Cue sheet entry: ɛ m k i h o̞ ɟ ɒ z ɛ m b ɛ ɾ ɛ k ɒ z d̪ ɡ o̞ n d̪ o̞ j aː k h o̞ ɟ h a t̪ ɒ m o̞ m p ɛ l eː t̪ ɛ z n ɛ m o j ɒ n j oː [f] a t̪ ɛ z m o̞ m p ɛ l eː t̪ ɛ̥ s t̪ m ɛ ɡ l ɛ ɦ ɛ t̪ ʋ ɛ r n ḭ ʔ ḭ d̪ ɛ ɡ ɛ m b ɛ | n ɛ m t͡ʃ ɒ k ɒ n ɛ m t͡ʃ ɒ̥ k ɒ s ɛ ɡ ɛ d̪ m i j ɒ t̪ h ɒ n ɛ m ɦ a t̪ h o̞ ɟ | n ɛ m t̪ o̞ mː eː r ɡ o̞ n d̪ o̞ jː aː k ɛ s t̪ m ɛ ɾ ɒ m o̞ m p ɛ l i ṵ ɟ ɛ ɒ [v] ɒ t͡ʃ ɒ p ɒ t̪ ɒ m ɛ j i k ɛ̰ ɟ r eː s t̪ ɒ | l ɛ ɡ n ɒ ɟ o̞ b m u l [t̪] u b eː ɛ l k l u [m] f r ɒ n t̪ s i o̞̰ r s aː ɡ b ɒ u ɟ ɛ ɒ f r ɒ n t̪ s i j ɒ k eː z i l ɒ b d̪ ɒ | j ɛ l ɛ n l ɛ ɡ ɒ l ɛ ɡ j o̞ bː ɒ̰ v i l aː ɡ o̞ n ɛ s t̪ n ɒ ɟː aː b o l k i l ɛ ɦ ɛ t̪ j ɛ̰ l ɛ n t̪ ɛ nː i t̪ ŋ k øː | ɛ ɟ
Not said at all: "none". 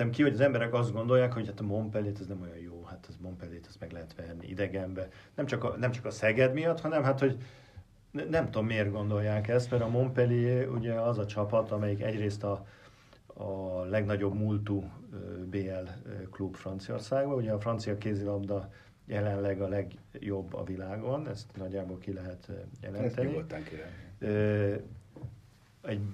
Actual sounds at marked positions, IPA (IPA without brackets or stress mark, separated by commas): h, z, t̪, b